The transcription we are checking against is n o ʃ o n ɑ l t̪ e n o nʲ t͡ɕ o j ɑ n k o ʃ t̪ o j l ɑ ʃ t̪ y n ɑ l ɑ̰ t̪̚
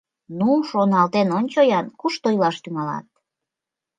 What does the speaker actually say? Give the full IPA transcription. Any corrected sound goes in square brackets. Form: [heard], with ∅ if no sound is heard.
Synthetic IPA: n [u] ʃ o n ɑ l t̪ e n o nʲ t͡ɕ o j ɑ n k [u] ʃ t̪ o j l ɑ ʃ t̪ y [ŋ] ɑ l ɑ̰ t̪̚